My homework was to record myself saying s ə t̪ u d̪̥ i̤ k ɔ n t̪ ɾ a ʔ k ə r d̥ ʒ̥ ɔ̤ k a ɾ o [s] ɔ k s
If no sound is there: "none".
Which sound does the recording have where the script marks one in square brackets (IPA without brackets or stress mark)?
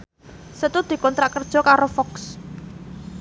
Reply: f